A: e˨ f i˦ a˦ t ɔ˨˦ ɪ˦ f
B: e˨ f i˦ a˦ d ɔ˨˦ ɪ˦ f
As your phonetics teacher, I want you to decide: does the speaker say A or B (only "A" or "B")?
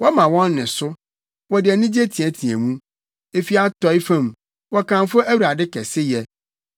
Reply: A